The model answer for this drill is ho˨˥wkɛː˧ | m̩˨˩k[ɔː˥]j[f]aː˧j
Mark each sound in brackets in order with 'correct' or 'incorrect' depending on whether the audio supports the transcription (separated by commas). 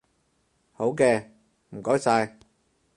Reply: incorrect, incorrect